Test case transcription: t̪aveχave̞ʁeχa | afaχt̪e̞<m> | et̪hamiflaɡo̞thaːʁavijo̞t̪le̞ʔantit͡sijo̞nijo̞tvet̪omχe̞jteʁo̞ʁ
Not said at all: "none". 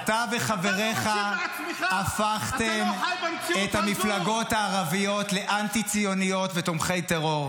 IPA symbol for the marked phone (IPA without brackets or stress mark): m